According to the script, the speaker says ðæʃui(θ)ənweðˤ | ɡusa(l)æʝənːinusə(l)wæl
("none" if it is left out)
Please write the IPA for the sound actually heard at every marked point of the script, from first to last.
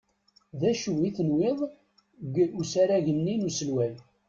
θ, ɾ, l

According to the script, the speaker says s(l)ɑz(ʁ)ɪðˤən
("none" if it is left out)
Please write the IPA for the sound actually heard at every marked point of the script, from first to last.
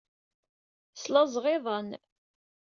l, ʁ

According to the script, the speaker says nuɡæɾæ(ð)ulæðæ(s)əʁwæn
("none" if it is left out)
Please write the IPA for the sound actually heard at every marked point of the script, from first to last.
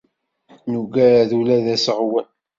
ð, s

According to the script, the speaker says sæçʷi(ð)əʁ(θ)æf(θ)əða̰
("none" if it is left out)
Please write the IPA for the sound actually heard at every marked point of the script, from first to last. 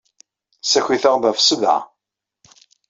θ, ð, s

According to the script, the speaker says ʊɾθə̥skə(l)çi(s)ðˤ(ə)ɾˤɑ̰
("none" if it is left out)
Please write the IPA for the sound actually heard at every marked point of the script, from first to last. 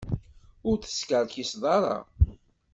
ɾ, s, ɑ

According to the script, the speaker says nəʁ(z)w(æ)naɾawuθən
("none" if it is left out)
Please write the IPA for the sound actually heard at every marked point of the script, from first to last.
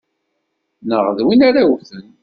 ð, i

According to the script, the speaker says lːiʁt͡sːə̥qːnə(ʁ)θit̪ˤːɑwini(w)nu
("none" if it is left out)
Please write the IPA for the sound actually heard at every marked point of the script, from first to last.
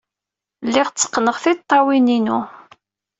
ʁ, none

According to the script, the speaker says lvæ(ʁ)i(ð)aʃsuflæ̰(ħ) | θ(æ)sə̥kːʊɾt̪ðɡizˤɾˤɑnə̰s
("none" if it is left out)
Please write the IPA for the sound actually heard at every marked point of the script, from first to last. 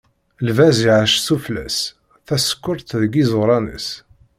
z, ʕ, s, æ

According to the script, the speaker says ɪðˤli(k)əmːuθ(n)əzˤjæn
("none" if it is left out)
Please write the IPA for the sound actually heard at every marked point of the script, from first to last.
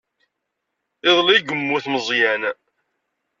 ɡ, m

